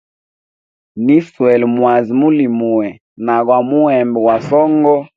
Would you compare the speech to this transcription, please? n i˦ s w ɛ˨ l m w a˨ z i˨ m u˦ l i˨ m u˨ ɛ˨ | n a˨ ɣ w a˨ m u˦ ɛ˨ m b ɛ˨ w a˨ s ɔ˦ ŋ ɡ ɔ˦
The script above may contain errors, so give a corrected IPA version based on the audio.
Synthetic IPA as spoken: n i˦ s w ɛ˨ l m w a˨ z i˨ m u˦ l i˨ m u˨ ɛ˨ | n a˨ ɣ w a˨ m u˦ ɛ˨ m b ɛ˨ w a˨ s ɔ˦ ŋ ɡ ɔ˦